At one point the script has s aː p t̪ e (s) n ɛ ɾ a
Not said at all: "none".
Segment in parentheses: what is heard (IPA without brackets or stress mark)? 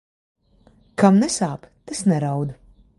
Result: s